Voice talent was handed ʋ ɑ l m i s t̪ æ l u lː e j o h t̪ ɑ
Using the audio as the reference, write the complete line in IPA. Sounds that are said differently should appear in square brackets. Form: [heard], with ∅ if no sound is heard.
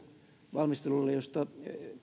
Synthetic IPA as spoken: ʋ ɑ l m i s t̪ [e] l u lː e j o [s] t̪ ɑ

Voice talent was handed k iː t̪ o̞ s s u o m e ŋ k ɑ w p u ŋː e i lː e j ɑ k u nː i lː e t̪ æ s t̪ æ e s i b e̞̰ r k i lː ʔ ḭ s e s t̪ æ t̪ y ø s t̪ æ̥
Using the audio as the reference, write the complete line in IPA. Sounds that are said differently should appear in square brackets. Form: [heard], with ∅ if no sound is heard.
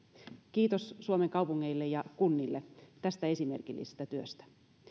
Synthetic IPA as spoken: k iː t̪ o̞ s s u o m e ŋ k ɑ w p u ŋː e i lː e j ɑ k u nː i lː e t̪ æ s t̪ æ e s i [m] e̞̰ r k i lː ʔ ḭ s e s t̪ æ t̪ y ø s t̪ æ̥

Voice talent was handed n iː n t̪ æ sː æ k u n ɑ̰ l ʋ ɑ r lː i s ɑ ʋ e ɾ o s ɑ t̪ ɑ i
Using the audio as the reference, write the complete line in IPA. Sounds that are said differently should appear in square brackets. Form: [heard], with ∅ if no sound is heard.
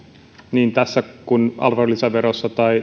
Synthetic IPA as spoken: n iː n t̪ æ sː æ k u n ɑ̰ l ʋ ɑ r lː i s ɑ ʋ e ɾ o [sː] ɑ t̪ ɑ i

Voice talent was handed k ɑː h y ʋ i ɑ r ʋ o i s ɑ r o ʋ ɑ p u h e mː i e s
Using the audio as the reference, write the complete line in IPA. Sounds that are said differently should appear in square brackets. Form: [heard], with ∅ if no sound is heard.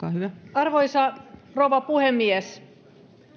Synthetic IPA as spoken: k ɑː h y ʋ [æ] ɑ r ʋ o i s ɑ r o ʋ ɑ p u h e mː i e s

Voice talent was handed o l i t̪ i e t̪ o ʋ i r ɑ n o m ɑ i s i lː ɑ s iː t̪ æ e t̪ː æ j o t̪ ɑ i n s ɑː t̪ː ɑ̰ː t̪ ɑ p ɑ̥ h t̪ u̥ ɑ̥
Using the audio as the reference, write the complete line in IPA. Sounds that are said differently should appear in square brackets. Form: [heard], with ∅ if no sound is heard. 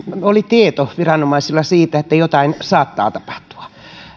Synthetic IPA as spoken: o l i t̪ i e t̪ o ʋ i r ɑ n o m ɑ i s i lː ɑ s iː t̪ æ e t̪ː æ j o t̪ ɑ i n s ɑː t̪ː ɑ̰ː t̪ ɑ p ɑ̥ h t̪ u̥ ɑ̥

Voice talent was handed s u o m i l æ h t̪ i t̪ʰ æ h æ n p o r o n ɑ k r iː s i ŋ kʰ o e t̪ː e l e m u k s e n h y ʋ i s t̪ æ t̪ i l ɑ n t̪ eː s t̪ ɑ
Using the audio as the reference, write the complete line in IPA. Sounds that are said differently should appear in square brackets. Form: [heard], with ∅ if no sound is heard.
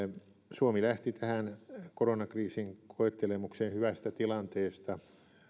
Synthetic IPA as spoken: s u o m i l æ h t̪ i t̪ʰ æ h æ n [k] o r o n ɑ k r iː s i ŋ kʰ o e t̪ː e l e m u k s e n h y ʋ [æ] s t̪ æ t̪ i l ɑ n t̪ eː s t̪ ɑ

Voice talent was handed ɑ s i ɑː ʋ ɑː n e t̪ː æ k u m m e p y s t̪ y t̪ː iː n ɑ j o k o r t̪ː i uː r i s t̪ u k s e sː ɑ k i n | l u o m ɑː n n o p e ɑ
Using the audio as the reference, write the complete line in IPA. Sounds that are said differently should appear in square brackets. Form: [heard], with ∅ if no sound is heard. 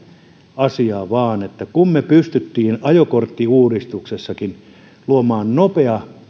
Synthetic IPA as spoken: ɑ s i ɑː ʋ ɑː n e t̪ː æ k u m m e p y s t̪ y t̪ː iː n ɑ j o k o r t̪ː i uː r i s t̪ u k s e sː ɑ k i n | l u o m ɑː n n o p e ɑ

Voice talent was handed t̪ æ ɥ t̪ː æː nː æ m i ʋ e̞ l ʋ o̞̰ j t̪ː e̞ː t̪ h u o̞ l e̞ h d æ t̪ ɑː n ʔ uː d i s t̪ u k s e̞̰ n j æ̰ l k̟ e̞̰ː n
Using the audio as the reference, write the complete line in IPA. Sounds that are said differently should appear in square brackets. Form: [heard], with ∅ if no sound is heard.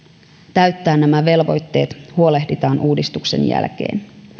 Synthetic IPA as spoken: t̪ æ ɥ t̪ː æː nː æ m [æ] ʋ e̞ l ʋ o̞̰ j t̪ː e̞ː t̪ h u o̞ l e̞ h d [i] t̪ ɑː n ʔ uː d i s t̪ u k s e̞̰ n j æ̰ l k̟ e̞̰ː n

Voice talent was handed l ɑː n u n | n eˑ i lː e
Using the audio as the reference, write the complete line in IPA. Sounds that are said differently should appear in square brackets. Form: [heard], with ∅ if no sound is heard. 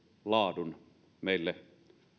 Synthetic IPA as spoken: l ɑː [d] u n | [m] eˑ i lː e

